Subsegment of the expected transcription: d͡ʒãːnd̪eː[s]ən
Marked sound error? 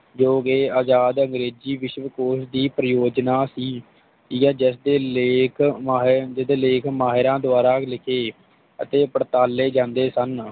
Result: no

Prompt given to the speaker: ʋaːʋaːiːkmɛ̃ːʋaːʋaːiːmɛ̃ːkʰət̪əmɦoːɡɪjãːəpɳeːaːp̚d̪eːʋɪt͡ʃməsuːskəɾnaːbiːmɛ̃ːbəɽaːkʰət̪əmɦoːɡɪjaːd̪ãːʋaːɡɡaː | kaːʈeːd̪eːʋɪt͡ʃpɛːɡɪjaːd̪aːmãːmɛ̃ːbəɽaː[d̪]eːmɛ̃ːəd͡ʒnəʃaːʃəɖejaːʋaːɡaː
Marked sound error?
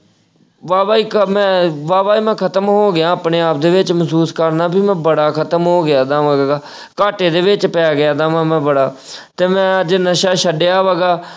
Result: yes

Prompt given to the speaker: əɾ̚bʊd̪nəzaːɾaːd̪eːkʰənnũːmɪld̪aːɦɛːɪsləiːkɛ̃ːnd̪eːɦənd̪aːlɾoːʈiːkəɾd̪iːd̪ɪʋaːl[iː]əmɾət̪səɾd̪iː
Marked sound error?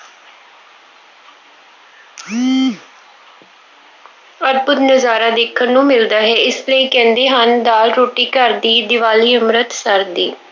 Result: no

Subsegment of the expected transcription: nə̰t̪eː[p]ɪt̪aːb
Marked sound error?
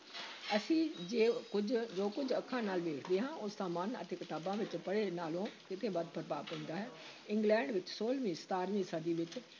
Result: yes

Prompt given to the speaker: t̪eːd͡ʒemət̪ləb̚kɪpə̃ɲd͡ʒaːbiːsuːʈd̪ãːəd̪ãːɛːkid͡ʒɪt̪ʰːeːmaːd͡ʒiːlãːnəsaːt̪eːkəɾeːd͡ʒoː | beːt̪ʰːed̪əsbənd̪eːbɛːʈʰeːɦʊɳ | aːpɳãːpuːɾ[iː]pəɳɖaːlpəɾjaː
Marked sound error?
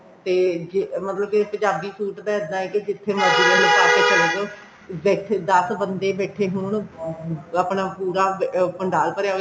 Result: yes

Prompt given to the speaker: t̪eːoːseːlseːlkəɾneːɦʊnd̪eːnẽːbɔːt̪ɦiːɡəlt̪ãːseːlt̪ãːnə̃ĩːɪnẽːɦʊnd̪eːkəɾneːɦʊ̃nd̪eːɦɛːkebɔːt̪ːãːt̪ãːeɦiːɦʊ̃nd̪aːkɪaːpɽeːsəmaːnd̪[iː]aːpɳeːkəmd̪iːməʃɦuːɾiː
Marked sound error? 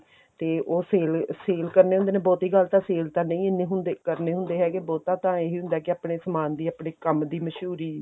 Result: no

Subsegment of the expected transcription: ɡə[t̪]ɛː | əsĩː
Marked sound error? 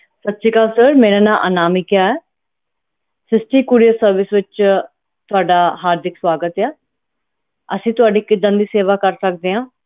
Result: no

